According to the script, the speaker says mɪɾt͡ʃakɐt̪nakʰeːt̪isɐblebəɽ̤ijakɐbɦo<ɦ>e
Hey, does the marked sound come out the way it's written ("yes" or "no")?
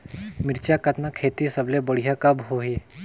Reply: yes